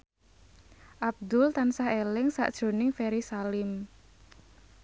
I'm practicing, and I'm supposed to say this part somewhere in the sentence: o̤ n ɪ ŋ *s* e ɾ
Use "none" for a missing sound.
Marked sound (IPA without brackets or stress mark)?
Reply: f